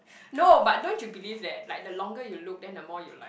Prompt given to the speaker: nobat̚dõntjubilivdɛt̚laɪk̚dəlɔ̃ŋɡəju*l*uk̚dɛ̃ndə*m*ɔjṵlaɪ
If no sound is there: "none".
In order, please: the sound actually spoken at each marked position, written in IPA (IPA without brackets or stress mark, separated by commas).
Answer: l, m